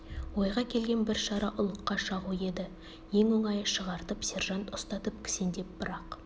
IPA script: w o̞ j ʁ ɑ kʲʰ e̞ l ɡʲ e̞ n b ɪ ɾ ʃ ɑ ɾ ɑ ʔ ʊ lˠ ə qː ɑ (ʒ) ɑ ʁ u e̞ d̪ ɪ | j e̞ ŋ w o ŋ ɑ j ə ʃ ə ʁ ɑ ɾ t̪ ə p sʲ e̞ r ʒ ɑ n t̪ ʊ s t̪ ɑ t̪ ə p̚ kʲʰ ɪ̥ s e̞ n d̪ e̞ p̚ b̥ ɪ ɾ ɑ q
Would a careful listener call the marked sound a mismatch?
yes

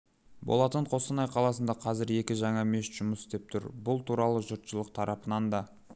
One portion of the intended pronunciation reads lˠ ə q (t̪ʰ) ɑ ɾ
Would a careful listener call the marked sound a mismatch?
no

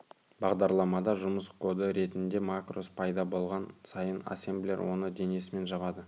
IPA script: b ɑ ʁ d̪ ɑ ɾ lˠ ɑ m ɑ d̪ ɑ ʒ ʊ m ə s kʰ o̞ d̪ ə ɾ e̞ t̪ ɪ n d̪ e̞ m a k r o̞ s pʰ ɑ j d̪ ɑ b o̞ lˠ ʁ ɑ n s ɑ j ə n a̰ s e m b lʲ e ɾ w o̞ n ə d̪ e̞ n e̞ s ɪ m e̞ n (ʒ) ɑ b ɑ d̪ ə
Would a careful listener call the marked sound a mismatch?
no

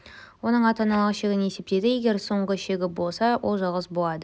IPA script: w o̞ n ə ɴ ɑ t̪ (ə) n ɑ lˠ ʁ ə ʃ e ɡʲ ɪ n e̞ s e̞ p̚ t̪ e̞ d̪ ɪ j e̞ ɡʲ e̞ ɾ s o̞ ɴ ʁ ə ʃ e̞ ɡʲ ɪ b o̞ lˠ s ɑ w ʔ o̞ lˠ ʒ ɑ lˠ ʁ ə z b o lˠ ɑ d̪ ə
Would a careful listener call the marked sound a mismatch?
yes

